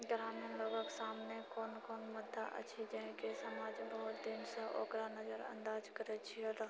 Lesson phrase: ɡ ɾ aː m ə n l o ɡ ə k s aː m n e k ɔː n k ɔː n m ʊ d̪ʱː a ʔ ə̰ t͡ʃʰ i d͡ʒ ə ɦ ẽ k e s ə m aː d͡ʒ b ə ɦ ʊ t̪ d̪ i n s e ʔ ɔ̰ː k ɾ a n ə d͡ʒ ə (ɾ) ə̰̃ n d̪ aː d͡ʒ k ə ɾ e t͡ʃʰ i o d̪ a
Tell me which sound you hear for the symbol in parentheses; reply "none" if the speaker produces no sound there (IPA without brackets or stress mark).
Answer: ɾ